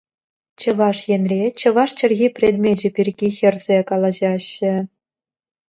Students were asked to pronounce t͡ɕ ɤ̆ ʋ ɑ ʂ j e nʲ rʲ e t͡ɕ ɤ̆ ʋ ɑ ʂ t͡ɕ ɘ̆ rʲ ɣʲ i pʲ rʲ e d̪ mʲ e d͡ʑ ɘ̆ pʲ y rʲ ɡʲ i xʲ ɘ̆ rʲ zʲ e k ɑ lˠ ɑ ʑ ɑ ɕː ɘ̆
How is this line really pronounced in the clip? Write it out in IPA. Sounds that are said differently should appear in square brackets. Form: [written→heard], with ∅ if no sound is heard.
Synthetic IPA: t͡ɕ ɤ̆ ʋ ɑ ʂ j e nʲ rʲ e t͡ɕ ɤ̆ ʋ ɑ ʂ t͡ɕ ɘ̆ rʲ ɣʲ i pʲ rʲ e d̪ mʲ e d͡ʑ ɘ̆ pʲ [y→i] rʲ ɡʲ i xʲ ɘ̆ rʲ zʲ e k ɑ lˠ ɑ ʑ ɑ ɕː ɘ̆